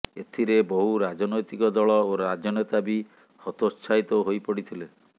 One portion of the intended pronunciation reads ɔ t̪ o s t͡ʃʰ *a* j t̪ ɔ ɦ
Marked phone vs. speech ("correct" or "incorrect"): correct